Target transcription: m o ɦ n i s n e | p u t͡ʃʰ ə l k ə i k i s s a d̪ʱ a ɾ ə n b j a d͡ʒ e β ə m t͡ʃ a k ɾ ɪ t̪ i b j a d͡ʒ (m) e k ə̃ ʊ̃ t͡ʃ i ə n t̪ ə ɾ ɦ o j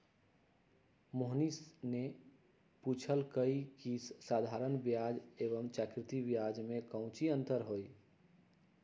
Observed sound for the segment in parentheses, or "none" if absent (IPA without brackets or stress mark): m